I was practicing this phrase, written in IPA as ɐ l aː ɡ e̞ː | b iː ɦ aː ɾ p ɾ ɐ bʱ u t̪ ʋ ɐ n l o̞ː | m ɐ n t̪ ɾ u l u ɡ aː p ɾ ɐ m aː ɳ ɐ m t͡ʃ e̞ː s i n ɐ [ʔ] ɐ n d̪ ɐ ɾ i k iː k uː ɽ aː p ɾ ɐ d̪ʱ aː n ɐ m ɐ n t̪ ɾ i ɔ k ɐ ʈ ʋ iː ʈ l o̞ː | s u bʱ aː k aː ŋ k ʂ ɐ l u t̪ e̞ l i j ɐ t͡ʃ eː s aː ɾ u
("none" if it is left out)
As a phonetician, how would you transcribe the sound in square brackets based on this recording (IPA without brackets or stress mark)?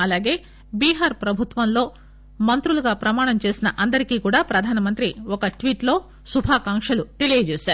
ʔ